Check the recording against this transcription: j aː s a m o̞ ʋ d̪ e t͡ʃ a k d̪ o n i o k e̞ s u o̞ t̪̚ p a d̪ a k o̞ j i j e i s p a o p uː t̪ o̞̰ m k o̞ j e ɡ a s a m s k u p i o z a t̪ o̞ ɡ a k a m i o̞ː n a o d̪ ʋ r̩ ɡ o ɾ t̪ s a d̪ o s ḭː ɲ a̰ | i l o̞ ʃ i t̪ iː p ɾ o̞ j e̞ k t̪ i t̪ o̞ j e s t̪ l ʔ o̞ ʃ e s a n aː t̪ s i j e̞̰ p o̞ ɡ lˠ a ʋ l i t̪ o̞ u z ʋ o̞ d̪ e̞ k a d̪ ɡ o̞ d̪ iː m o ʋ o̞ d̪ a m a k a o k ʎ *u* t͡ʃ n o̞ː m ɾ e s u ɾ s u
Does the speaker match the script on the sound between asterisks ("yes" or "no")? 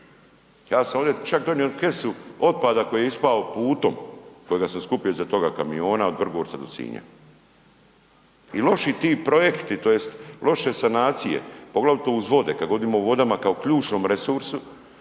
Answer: no